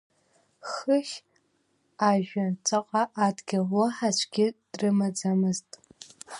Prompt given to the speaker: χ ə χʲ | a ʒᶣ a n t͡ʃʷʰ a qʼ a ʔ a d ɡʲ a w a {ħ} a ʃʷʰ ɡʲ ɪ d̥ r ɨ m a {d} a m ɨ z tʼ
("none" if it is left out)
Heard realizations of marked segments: ħ, d͡z

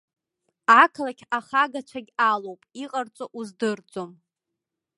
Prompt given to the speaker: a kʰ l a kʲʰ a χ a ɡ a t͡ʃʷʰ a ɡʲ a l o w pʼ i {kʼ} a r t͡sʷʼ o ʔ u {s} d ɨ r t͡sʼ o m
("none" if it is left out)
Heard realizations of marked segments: qʼ, z

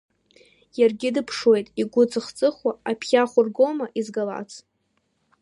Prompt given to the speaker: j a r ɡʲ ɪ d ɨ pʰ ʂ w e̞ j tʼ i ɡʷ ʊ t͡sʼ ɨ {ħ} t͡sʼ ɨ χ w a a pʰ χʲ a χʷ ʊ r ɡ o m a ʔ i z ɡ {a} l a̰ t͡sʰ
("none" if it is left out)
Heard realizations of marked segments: χ, a

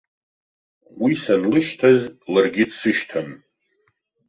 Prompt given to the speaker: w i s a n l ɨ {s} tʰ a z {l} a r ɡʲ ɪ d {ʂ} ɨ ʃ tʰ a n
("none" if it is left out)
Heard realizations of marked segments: ʃ, l, s

